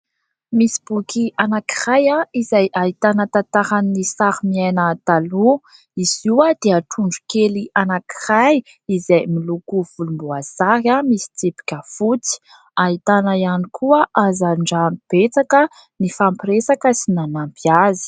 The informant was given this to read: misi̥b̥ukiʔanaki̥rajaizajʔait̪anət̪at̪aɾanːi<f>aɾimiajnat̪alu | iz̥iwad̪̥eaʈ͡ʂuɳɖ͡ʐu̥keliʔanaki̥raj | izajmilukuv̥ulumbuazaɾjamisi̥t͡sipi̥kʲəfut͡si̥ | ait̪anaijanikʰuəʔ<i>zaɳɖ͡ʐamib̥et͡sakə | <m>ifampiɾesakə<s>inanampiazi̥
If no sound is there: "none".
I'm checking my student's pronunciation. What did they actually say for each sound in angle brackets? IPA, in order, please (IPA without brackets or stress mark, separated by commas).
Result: s, a, n, s